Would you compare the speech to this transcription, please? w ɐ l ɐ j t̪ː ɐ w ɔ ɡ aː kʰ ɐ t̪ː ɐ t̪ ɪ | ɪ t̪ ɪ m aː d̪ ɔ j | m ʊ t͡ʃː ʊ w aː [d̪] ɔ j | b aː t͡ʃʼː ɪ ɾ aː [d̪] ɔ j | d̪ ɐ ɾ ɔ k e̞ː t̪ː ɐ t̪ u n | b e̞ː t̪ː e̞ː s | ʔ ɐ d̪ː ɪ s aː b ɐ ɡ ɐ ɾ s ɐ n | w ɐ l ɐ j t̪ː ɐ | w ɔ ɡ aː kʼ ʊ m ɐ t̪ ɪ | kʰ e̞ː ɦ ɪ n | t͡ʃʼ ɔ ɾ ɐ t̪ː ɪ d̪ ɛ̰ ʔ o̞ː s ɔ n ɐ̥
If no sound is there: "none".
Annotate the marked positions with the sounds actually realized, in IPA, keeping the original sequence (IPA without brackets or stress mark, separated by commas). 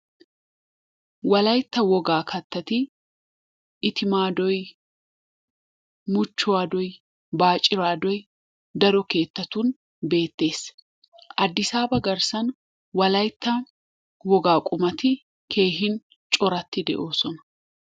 d̪, d̪